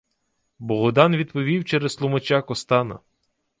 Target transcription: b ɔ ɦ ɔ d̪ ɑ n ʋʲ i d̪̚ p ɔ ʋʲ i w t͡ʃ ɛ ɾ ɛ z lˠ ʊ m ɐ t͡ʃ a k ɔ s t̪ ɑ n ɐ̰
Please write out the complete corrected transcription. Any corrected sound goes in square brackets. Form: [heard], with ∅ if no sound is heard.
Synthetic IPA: b ɔ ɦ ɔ d̪ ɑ n ʋʲ i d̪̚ p ɔ ʋʲ i w t͡ʃ ɛ ɾ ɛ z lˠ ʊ m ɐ t͡ʃ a k ɔ s t̪ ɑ n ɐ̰